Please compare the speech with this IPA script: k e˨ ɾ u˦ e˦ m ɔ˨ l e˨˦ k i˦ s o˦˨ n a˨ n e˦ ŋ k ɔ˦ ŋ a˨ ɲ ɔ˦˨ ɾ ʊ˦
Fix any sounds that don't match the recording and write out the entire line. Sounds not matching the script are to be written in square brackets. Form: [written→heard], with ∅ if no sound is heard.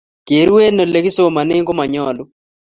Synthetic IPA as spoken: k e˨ ɾ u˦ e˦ [m→n] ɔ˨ l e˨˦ k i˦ s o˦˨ [n→m] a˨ n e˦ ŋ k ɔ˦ [ŋ→m] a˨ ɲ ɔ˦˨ [ɾ→l] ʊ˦